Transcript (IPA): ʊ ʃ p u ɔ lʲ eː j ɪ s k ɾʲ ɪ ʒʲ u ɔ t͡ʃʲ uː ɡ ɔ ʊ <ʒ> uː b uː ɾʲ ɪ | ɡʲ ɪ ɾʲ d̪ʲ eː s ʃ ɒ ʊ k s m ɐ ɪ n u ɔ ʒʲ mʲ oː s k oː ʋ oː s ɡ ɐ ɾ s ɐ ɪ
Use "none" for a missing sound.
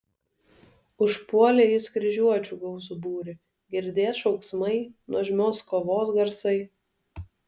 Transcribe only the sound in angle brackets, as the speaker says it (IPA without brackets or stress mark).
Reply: z